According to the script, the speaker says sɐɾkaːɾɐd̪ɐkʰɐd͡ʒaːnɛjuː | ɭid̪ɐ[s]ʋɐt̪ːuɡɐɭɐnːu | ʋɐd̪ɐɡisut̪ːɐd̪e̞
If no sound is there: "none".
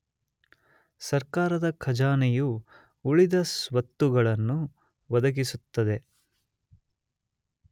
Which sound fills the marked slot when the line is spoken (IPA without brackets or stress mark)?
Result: s